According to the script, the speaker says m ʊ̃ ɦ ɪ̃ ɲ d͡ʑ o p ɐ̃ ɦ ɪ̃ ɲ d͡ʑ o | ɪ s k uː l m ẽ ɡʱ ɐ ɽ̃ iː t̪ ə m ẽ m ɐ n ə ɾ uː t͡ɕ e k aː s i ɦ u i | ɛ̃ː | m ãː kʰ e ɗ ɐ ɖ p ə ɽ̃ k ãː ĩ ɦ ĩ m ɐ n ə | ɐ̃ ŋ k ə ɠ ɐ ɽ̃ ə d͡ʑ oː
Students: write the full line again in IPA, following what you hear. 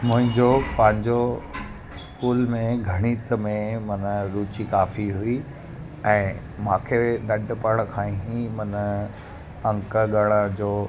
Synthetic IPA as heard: m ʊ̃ ɦ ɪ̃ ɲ d͡ʑ o p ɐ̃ ɦ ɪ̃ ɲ d͡ʑ o | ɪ s k uː l m ẽ ɡʱ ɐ ɽ̃ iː t̪ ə m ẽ m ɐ n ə ɾ uː t͡ɕ i k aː f i ɦ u i | ɛ̃ː | m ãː kʰ e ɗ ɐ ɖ p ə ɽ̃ kʰ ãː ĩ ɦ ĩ m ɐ n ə | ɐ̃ ŋ k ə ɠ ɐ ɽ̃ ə d͡ʑ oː